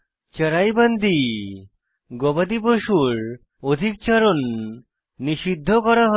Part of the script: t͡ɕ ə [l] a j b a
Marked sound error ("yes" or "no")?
yes